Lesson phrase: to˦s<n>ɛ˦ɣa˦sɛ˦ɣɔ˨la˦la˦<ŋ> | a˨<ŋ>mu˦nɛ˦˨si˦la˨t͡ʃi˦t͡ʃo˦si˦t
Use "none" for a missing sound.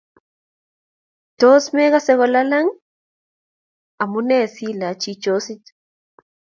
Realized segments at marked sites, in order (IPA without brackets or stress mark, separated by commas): m, ŋ, none